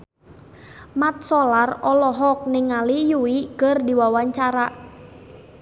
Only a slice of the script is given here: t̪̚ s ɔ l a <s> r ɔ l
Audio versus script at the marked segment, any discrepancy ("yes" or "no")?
yes